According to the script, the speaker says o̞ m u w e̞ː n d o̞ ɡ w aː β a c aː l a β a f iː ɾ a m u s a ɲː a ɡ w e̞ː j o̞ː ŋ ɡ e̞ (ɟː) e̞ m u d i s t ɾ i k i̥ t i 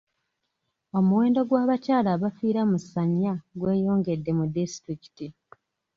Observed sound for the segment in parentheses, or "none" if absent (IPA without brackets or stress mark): dː